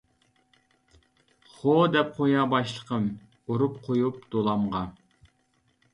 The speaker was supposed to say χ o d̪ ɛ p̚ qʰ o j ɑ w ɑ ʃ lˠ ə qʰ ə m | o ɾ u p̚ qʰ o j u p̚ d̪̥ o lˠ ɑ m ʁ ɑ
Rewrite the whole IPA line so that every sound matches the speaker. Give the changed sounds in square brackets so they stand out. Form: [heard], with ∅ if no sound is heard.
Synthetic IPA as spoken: χ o d̪ ɛ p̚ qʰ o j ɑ [b] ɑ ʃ lˠ ə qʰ ə m | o ɾ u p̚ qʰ o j u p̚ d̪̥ o lˠ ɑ m ʁ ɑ

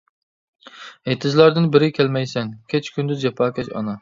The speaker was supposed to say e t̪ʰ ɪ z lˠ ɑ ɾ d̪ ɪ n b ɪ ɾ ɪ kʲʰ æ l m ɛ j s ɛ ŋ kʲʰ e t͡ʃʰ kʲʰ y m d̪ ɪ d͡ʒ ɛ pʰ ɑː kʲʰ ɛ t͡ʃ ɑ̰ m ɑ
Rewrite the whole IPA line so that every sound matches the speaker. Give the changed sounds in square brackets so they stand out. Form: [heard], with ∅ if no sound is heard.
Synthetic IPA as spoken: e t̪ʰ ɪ z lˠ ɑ ɾ d̪ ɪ n b ɪ ɾ ɪ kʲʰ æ l m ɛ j s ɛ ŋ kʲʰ e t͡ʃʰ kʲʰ y [n] d̪ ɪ d͡ʒ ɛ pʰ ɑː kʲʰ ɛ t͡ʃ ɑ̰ [n] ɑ

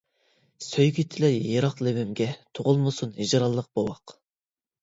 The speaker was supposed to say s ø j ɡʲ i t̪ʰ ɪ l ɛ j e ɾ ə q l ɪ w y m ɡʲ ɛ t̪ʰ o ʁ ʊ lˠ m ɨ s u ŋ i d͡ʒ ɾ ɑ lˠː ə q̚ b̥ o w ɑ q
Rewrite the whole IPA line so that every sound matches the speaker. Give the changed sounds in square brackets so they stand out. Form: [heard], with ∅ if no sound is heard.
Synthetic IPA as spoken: s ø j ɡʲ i t̪ʰ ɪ l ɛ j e ɾ [ɑ] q l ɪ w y m ɡʲ ɛ t̪ʰ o ʁ ʊ lˠ m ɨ s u [n] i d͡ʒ ɾ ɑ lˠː ə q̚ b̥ o w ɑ q

